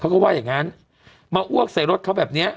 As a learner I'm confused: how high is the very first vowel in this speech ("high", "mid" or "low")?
low